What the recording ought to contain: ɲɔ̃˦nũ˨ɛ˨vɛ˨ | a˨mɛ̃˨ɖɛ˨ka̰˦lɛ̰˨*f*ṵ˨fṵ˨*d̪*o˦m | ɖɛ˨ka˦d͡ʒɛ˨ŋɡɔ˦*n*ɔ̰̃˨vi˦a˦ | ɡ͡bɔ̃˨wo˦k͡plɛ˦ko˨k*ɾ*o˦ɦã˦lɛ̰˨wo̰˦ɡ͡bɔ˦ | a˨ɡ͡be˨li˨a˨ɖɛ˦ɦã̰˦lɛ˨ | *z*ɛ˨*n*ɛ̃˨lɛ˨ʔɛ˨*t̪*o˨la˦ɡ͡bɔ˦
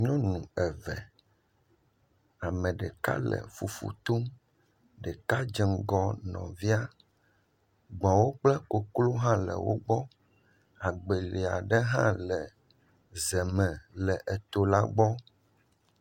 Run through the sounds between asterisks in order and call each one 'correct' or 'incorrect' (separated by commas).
correct, incorrect, correct, incorrect, correct, incorrect, correct